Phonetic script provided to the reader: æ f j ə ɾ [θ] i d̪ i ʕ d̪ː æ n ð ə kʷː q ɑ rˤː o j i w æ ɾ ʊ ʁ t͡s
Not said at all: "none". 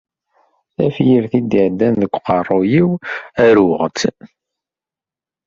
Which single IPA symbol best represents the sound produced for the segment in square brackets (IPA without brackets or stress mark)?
θ